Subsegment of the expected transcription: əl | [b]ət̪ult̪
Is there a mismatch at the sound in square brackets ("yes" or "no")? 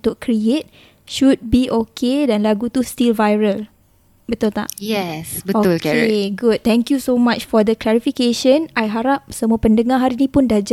no